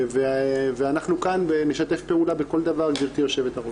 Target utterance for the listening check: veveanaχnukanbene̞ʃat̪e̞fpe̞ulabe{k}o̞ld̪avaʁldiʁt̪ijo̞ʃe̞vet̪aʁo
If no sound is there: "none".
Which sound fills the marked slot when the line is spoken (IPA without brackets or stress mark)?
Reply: k